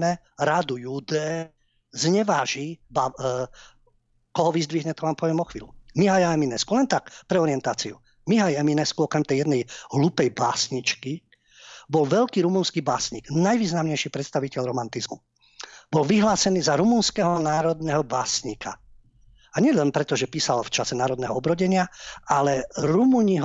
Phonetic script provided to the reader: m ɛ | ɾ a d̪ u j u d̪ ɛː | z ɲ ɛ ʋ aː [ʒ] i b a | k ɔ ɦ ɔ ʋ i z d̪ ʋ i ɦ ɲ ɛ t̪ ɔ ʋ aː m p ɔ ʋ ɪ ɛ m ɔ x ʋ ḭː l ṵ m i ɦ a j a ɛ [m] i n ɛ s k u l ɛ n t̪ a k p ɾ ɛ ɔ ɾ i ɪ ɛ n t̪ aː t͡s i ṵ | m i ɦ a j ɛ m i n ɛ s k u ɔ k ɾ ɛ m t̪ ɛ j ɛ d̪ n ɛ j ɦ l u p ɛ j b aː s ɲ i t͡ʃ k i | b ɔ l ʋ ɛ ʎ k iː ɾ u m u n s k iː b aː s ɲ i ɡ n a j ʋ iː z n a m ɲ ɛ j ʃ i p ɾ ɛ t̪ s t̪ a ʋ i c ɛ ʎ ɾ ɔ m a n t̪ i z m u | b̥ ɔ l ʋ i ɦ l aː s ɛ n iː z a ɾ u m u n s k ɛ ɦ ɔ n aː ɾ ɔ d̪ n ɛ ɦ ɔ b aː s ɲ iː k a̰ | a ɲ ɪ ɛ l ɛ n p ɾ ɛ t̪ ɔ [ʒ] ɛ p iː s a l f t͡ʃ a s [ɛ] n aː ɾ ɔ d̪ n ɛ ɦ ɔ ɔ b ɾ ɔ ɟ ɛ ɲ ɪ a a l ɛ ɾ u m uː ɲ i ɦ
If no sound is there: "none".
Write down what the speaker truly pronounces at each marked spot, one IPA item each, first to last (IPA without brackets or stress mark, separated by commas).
ʒ, m, ʒ, ɛ